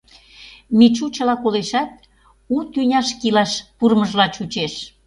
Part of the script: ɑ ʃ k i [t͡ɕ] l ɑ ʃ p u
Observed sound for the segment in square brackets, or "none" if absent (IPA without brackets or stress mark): none